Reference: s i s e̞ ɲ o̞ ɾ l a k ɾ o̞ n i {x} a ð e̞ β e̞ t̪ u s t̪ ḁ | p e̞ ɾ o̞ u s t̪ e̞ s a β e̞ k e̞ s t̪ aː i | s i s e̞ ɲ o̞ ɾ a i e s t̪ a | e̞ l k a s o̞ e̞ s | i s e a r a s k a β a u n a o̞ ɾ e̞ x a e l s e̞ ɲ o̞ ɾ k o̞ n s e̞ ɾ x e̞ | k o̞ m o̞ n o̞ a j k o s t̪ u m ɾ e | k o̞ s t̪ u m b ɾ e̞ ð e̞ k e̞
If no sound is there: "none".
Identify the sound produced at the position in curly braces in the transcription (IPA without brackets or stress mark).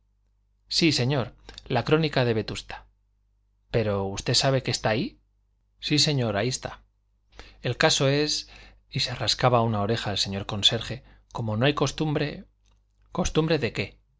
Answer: k